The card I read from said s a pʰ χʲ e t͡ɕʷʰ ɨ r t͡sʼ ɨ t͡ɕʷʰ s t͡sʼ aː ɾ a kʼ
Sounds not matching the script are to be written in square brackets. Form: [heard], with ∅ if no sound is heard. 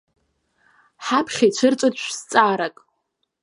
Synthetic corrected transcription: [ħ] a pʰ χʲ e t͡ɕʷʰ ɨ r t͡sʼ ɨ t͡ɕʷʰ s t͡sʼ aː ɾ a kʼ